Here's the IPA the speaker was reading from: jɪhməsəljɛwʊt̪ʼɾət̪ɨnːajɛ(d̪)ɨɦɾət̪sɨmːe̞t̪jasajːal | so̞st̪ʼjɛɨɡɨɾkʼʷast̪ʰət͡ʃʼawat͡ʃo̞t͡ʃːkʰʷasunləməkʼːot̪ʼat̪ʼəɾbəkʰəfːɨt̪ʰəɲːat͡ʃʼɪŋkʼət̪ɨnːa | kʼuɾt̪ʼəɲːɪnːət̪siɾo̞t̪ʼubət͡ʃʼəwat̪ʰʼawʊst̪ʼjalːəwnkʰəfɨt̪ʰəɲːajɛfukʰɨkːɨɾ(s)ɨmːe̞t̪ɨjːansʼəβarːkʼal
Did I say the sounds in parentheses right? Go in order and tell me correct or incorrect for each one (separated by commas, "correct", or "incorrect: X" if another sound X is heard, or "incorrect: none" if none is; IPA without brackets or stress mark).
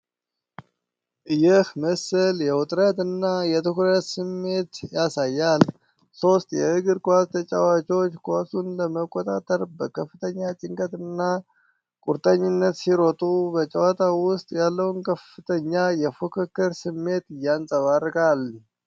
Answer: incorrect: t̪, correct